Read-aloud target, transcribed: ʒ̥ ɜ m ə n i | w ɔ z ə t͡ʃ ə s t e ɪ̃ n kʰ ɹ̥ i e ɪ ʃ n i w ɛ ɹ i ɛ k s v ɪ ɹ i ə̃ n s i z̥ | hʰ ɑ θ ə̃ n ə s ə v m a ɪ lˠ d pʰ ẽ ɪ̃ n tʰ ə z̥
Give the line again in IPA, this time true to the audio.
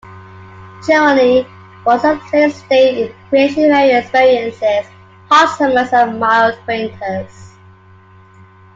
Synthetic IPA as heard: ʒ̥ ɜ m ə n i | w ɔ z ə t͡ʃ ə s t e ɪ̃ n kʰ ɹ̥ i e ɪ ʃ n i v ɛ ɹ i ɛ k s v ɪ ɹ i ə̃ n s ɪ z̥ | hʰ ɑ s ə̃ m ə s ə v m a ɪ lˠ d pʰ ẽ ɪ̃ n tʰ ə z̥

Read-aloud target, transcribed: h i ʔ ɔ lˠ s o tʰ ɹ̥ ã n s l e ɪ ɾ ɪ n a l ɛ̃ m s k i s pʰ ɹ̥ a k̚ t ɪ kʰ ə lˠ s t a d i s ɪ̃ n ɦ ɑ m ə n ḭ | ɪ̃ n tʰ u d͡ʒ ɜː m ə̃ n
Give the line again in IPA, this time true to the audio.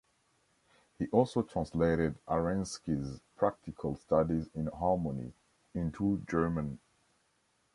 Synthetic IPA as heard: h i ʔ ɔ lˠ s o tʰ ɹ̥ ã n s l e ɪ ɾ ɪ d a ɹ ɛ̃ n s k i z pʰ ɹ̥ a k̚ t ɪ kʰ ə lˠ s t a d i z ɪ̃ n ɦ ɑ m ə n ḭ | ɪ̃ n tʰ u d͡ʒ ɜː m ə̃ n

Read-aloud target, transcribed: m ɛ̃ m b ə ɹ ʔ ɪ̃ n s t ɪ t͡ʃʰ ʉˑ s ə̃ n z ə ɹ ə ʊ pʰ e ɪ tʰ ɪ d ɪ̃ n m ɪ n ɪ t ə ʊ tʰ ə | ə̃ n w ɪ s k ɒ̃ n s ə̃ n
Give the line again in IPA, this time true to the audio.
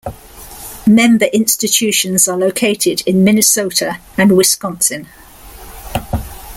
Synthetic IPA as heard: m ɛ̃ m b ə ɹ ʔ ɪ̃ n s t ɪ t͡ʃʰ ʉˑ ʃ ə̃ n z ə l ə ʊ kʰ e ɪ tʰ ɪ d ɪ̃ n m ɪ n ɪ s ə ʊ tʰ ə | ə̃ n w ɪ s k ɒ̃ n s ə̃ n

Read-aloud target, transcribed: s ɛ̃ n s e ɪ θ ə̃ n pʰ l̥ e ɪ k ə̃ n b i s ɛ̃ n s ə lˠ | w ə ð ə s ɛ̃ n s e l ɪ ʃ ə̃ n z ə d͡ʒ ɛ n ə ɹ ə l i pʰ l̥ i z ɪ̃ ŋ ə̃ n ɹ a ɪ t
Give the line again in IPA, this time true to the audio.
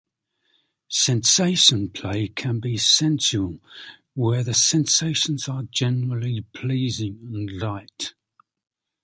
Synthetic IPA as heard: s ɛ̃ n s e ɪ ʃ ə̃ n pʰ l̥ e ɪ kʰ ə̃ n b i s ɛ̃ n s ə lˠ | w ə ð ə s ɛ̃ n s e ɪ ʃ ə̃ n z ə d͡ʒ ɛ n ə ɹ ə l i pʰ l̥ iː z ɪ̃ ŋ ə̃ n l a ɪ t

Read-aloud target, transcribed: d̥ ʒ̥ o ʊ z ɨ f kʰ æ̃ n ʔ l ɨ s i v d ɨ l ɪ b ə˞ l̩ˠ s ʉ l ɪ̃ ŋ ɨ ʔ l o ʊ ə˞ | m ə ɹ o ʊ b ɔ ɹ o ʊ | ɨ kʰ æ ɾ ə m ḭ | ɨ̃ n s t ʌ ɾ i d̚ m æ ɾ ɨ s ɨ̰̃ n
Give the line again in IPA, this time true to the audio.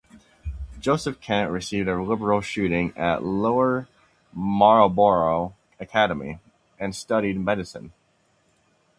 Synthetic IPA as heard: d̥ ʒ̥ o ʊ s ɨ f kʰ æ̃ n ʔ ɹ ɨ s i v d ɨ l ɪ b ə˞ l̩ˠ ʃ ʉ ɾ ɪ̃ ŋ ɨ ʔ l o ʊ ə˞ | m ɑ ɹ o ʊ b ɔ ɹ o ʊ | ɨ kʰ æ ɾ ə m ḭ | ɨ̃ n s t ʌ ɾ i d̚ m ɛ ɾ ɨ s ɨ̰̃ n

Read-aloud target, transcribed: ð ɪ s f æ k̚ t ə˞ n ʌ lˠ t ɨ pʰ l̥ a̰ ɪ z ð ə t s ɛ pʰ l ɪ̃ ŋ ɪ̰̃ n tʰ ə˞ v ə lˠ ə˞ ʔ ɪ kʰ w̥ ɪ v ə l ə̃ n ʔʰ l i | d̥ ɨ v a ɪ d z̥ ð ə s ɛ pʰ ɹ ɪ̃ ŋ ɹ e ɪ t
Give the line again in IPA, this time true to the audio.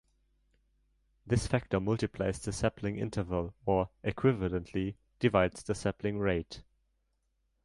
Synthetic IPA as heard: ð ɪ s f æ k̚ t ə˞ m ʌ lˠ t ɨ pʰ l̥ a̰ ɪ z ð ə s ɛ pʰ l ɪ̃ ŋ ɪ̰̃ n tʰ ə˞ v ə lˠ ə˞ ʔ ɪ kʰ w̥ ɪ v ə l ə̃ n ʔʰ l i | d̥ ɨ v a ɪ d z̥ ð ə s ɛ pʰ l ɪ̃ ŋ ɹ e ɪ t

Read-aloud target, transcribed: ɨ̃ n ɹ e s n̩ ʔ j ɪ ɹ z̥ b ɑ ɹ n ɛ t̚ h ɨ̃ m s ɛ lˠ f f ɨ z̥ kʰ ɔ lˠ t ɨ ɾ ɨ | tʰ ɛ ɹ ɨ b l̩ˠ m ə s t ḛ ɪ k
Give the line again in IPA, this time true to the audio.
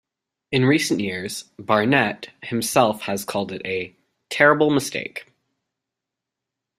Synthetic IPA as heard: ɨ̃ n ɹ i s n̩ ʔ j ɪ ɹ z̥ b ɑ ɹ n ɛ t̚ h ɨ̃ m s ɛ lˠ f h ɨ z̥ kʰ ɔ lˠ d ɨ ɾ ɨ | tʰ ɛ ɹ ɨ b l̩ˠ m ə s t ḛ ɪ k

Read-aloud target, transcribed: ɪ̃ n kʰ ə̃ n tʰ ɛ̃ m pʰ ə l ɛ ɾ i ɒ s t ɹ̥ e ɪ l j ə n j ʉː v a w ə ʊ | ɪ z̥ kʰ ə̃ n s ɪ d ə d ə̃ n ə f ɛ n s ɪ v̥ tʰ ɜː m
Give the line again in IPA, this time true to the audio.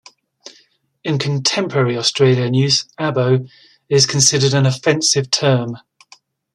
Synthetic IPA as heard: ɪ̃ n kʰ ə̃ n tʰ ɛ̃ m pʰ ə ɹ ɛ ɹ i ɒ s t ɹ̥ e ɪ l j ə n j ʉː z a b ə ʊ | ɪ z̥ kʰ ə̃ n s ɪ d ə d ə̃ n ə f ɛ̃ n s ɪ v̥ tʰ ɜː m

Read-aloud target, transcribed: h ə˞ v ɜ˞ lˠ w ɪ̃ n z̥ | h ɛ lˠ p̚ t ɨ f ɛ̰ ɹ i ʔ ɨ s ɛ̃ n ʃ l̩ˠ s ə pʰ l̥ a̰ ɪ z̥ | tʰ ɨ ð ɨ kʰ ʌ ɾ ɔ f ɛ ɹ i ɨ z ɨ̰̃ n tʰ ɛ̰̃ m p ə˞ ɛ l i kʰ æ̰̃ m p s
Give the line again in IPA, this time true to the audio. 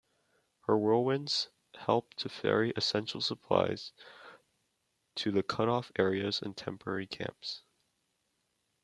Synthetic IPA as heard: h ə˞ w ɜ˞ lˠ w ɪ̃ n z̥ | h ɛ lˠ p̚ tʰ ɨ f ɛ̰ ɹ i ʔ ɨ s ɛ̃ n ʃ l̩ˠ s ə pʰ l̥ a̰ ɪ z̥ | tʰ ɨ ð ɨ kʰ ʌ ɾ ɔ f ɛ ɹ i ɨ z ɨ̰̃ n tʰ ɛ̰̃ m p ə˞ ɛ ɹ i kʰ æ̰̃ m p s

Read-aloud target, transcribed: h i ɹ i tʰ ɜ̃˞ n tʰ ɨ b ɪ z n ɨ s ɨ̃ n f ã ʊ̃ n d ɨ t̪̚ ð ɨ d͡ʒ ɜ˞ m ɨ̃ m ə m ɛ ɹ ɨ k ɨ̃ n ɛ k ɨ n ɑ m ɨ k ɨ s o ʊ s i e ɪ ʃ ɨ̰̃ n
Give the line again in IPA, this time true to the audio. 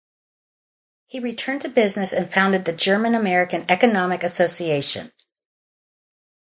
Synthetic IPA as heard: h i ɹ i tʰ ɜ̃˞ n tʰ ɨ b ɪ z n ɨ s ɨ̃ n f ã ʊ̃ n d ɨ d̪̚ ð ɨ d͡ʒ ɜ˞ m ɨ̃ n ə m ɛ ɹ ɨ k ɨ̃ n ɛ k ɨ n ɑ m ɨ k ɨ s o ʊ s i e ɪ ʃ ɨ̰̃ n

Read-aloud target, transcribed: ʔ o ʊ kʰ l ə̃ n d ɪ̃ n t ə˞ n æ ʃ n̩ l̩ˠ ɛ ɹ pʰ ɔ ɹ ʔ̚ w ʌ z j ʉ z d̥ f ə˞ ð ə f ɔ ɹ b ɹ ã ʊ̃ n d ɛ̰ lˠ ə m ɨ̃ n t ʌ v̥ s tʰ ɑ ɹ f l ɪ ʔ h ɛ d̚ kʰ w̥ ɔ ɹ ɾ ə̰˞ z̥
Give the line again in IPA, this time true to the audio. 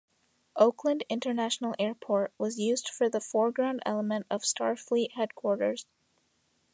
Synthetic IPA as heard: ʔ o ʊ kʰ l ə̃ n d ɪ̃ n t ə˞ n æ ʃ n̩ l̩ˠ ɛ ɹ pʰ ɔ ɹ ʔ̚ w ʌ z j ʉ z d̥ f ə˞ ð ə f ɔ ɹ ɡ ɹ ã ʊ̃ n d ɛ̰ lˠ ə m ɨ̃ n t ʌ v̥ s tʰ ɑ ɹ f l i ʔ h ɛ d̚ kʰ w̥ ɔ ɹ ɾ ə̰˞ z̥

